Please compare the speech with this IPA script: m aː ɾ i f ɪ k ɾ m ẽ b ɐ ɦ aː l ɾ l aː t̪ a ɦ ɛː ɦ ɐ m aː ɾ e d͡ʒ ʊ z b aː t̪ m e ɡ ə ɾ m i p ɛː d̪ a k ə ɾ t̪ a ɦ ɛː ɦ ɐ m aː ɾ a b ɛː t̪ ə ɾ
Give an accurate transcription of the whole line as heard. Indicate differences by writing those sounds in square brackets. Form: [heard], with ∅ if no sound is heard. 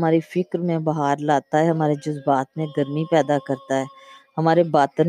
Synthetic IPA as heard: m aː ɾ i f ɪ k ɾ m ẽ b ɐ ɦ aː [∅] ɾ l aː t̪ a ɦ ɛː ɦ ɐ m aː ɾ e d͡ʒ ʊ z b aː t̪ m [ẽ] ɡ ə ɾ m i p ɛː d̪ a k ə ɾ t̪ a ɦ ɛː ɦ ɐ m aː ɾ [e] b [aː] t̪ ə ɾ